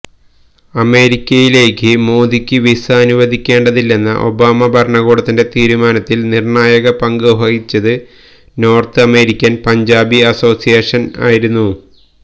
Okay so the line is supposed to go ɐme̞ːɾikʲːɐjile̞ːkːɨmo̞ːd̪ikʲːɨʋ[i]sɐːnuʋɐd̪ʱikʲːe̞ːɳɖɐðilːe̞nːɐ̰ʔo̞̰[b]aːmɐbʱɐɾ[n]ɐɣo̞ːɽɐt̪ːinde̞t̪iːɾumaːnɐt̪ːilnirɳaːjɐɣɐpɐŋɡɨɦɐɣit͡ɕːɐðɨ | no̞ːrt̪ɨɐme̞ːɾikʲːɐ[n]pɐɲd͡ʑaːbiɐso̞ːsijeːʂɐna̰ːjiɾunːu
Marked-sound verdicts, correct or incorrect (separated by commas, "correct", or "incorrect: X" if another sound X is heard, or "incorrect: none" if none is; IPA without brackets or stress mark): correct, correct, incorrect: ɳ, correct